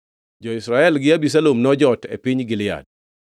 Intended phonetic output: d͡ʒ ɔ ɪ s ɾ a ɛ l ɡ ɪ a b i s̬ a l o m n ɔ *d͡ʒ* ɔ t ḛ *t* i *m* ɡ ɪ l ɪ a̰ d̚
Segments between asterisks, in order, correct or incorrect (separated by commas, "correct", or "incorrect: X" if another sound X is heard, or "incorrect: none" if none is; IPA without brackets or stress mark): correct, incorrect: p, incorrect: ɲ